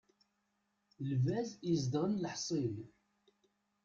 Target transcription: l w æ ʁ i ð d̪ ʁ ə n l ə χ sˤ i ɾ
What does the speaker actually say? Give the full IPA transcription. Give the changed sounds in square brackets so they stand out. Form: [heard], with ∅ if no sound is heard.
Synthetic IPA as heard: l [v] æ [z] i [z] d̪ ʁ ə n l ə [ħ] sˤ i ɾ